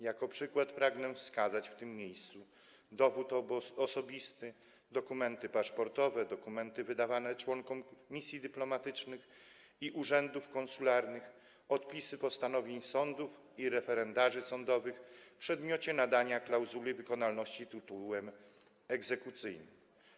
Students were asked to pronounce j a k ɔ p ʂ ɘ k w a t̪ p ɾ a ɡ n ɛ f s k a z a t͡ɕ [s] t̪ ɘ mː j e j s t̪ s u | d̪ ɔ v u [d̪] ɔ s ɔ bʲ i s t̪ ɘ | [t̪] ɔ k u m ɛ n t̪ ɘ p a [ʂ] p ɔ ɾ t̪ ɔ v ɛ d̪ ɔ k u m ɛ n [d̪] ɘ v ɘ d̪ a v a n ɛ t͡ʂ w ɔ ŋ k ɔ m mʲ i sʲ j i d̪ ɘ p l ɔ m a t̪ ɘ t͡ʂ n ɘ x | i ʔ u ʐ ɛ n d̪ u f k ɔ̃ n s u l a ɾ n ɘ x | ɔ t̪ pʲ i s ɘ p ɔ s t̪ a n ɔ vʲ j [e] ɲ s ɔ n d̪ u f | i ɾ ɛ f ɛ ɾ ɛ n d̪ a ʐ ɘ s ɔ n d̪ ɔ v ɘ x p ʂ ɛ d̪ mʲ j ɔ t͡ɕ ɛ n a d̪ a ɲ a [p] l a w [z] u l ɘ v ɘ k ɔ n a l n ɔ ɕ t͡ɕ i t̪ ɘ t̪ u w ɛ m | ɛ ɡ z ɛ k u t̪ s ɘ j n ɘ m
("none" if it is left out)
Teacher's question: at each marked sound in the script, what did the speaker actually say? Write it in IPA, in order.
f, t̪, d̪, ʂ, t̪, e, k, z

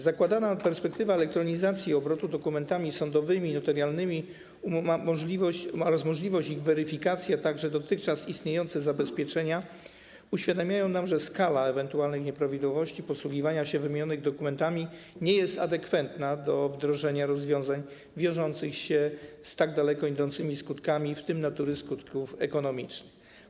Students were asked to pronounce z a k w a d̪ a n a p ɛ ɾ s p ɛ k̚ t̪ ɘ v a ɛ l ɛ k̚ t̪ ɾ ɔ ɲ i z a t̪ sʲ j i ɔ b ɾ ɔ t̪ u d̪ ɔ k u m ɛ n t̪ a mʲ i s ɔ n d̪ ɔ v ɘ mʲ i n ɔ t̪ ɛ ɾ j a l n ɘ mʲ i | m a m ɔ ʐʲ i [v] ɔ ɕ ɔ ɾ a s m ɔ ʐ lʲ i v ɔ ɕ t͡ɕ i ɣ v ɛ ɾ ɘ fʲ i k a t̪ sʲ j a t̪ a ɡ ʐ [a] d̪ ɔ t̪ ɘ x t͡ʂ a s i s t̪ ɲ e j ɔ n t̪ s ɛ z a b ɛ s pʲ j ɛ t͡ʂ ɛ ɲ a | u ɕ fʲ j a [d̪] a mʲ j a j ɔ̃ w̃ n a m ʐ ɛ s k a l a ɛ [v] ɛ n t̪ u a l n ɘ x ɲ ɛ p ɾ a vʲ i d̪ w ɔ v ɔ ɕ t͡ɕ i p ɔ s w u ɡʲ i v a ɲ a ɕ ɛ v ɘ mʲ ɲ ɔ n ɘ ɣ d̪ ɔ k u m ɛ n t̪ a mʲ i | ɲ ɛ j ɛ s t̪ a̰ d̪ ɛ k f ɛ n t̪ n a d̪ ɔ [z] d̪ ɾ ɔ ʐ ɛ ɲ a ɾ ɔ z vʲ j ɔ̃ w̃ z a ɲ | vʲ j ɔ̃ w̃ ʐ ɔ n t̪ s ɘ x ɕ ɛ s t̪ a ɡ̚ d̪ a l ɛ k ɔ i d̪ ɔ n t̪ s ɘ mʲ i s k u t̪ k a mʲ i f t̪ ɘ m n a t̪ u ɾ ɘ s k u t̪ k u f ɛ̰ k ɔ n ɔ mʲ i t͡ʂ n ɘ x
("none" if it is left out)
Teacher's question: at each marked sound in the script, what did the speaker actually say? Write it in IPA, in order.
v, ɛ, d̪, v, v

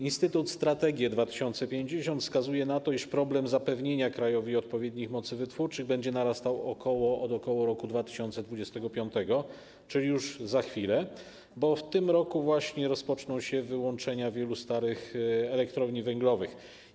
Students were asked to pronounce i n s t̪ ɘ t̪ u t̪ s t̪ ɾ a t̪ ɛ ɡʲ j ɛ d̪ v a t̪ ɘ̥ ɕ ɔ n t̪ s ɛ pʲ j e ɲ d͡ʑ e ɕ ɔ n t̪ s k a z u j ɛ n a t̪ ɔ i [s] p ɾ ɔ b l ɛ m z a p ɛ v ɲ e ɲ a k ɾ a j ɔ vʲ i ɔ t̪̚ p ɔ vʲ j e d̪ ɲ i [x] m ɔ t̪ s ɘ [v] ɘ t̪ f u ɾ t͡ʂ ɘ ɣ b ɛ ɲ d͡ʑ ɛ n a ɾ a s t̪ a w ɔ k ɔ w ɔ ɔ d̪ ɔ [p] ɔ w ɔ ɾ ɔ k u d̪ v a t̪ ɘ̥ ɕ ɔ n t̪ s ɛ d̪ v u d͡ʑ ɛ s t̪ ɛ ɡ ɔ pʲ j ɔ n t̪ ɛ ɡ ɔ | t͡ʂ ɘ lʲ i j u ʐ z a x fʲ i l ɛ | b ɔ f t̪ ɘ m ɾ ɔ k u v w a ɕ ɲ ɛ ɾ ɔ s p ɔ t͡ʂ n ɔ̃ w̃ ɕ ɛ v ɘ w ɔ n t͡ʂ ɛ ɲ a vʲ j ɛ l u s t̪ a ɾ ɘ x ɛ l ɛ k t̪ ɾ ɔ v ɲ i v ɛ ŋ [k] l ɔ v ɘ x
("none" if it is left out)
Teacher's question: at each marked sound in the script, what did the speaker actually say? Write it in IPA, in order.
ʂ, x, v, k, ɡ

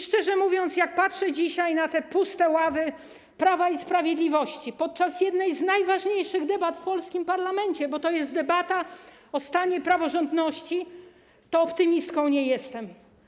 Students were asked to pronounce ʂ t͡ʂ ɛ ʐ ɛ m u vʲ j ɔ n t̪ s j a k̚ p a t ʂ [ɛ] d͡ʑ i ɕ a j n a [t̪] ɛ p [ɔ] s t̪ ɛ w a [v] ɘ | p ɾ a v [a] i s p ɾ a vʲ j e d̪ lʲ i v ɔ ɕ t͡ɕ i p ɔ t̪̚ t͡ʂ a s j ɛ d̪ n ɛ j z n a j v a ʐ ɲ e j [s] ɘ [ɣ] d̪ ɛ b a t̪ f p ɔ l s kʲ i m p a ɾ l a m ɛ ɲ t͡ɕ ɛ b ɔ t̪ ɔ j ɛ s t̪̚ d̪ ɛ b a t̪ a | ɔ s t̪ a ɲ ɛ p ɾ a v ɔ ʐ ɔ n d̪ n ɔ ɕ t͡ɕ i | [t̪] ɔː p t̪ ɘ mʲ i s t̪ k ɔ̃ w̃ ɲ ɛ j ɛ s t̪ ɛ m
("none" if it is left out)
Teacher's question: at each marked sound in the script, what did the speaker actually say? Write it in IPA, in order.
ɛ, t̪, u, v, a, ʂ, ɣ, t̪

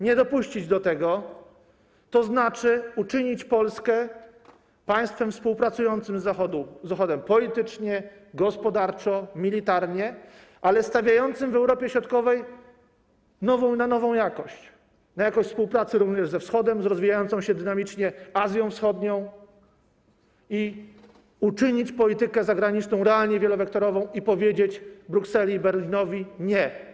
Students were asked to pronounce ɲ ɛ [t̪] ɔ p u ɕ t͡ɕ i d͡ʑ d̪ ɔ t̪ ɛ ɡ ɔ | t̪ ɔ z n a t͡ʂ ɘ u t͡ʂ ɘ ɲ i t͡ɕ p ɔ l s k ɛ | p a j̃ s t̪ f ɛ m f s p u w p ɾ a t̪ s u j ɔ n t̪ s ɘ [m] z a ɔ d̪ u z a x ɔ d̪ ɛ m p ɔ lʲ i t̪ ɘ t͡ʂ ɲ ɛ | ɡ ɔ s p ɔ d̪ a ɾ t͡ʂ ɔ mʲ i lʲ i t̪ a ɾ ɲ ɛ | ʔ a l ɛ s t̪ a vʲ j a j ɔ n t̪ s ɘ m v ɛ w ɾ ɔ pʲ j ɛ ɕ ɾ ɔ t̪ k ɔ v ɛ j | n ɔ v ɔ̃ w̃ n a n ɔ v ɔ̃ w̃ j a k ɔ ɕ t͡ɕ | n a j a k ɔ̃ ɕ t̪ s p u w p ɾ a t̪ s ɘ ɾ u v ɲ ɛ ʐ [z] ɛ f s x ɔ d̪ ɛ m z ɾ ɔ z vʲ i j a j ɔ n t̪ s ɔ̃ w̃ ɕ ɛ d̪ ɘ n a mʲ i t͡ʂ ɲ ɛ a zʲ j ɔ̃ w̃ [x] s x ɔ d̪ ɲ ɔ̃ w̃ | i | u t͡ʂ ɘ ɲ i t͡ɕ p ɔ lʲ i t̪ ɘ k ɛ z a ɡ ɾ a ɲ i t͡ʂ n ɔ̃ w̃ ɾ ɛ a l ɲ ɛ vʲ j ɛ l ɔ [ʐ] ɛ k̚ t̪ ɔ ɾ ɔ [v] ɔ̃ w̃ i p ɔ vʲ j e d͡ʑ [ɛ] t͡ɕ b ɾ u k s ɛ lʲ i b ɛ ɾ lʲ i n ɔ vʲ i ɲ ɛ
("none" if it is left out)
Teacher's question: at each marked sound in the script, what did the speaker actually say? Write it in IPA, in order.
d̪, m, z, f, v, v, e

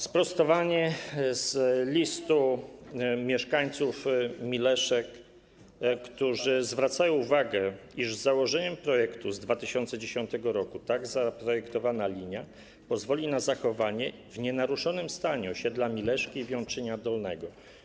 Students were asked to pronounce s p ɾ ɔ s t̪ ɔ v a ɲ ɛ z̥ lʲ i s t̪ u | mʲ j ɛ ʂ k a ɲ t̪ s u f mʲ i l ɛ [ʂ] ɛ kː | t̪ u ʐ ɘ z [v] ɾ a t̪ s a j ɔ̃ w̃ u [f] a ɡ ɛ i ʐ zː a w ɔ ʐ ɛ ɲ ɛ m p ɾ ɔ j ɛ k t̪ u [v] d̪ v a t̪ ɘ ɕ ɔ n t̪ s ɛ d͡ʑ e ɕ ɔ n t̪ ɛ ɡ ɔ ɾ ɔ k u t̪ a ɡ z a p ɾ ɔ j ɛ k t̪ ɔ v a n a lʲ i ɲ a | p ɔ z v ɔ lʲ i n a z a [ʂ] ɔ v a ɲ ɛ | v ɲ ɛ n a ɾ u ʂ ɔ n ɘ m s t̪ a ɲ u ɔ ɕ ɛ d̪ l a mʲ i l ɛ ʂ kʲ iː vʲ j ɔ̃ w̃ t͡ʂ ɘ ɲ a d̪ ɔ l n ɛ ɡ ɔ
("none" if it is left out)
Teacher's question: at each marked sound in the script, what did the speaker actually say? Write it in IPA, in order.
ʂ, v, v, z, x

